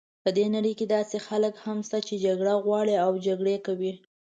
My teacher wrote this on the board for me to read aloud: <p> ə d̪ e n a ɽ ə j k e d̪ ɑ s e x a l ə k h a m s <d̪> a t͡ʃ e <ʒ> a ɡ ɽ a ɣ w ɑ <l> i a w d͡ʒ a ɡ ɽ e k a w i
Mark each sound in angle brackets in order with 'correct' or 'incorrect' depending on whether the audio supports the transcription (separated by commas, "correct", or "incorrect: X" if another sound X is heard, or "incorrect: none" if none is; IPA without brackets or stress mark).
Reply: correct, incorrect: t̪, incorrect: d͡ʒ, incorrect: ɽ